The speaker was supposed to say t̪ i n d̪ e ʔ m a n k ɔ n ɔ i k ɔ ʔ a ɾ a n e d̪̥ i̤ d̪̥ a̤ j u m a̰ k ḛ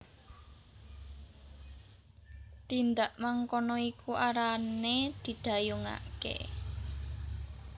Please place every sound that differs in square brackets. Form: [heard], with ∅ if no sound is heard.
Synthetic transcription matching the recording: t̪ i n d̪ [a] ʔ m a [ŋ] k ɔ n ɔ i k [u] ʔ a ɾ a n e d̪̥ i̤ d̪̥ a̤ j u [ŋ] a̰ k ḛ